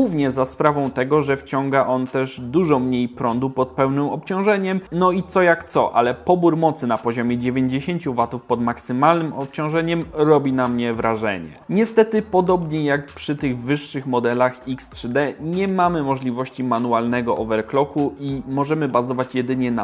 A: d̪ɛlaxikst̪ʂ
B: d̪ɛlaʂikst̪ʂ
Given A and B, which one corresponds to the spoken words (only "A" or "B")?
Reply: A